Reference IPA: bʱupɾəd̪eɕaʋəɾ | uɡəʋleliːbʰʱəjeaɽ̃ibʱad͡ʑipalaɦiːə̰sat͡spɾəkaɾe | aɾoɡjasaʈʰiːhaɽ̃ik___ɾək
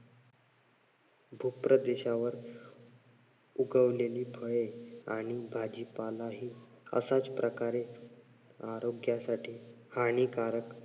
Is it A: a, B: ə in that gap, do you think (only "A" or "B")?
A